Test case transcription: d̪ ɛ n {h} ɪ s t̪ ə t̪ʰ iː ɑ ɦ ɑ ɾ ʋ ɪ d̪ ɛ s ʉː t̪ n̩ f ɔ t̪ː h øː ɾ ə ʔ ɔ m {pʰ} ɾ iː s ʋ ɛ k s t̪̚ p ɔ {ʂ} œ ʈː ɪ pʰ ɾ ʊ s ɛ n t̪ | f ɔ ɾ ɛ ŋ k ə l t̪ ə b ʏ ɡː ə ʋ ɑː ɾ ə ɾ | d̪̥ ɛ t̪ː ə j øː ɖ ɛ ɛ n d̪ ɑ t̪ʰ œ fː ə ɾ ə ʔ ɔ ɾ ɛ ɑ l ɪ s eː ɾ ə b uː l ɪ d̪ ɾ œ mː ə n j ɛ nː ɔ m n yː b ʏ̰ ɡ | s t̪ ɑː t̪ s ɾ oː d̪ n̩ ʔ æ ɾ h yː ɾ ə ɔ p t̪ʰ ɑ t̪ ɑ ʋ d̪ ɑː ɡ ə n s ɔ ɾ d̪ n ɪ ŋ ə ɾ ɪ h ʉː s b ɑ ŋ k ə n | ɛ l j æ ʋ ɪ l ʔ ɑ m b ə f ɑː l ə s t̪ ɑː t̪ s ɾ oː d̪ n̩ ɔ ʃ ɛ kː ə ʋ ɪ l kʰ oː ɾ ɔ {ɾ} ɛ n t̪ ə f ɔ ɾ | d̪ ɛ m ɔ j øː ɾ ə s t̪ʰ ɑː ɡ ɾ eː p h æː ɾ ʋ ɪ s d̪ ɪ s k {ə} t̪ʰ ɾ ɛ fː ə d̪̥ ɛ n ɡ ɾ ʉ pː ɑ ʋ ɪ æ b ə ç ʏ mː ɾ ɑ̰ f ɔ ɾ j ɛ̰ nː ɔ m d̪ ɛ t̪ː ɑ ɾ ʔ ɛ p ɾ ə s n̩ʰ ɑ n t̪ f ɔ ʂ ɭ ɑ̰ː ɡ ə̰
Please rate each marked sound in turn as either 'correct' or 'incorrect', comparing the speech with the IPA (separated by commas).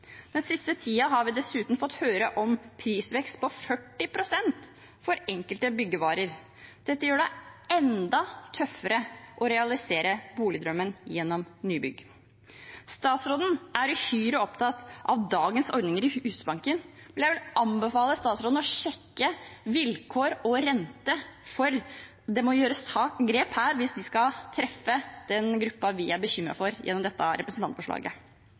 incorrect, correct, incorrect, correct, incorrect